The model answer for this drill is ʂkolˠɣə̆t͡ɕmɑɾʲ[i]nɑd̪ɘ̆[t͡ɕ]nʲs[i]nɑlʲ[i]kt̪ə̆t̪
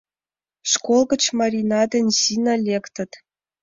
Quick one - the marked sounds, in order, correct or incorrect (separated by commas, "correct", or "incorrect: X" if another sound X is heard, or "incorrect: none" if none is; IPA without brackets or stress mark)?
correct, incorrect: none, correct, incorrect: e